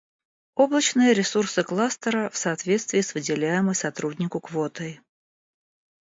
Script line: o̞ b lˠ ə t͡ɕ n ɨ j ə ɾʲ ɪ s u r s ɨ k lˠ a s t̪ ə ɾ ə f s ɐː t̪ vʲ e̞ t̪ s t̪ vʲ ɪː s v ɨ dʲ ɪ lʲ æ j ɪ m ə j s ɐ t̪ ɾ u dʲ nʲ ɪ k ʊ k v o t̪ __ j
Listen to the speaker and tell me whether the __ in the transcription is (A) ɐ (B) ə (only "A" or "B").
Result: B